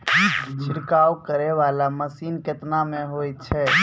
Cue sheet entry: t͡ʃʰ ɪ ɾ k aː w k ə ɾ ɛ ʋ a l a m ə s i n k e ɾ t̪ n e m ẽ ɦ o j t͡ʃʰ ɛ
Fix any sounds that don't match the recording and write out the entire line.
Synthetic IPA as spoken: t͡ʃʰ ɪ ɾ k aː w k ə ɾ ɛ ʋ a l a m ə s i n k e t̪ n a m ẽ ɦ o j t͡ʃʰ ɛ